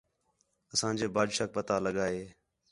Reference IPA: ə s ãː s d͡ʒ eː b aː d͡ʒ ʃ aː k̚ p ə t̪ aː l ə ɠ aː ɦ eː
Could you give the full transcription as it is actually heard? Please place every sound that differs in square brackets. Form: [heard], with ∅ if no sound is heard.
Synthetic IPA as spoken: ə s ãː [∅] d͡ʒ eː b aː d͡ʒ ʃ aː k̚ p ə t̪ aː l ə ɠ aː ɦ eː